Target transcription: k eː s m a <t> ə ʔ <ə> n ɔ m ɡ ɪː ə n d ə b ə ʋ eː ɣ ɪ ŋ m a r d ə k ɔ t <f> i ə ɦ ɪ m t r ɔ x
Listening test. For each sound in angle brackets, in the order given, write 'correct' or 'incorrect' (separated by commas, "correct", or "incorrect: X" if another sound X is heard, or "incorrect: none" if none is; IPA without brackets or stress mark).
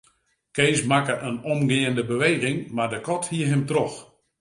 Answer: incorrect: k, correct, incorrect: h